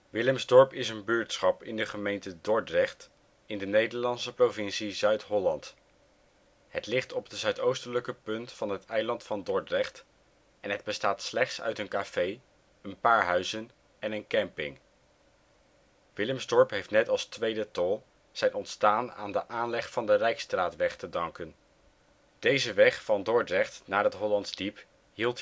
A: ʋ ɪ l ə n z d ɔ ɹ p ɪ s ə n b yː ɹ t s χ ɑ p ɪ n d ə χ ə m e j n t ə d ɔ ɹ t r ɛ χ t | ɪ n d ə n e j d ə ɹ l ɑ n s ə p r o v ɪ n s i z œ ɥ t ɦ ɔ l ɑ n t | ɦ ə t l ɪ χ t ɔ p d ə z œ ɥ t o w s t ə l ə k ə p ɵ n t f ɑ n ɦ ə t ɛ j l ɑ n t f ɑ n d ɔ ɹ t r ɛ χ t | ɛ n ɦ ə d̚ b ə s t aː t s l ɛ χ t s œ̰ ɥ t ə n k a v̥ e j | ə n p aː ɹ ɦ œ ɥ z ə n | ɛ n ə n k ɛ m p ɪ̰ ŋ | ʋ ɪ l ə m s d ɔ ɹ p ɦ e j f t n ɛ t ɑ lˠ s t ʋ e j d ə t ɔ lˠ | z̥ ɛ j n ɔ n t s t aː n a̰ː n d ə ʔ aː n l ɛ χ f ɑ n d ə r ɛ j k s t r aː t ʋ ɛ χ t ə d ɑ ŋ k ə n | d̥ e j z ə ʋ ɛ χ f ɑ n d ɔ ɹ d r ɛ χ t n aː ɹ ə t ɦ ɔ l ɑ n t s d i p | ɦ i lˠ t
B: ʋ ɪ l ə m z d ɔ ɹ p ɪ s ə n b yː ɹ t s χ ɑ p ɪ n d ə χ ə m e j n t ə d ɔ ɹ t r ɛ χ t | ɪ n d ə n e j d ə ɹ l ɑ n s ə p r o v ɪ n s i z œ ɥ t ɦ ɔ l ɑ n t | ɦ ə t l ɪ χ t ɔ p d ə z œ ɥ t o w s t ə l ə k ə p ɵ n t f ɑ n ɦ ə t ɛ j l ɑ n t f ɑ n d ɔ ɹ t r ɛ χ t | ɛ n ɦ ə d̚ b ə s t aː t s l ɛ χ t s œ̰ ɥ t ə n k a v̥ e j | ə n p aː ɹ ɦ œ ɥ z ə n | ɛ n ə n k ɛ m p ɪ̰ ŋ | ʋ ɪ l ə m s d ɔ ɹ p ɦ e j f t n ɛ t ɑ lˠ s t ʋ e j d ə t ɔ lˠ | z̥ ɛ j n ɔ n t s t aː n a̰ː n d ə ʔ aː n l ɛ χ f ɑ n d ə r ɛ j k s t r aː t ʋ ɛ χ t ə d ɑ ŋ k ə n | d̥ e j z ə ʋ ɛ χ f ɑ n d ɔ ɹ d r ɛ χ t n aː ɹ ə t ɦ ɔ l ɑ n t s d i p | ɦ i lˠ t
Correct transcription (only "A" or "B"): B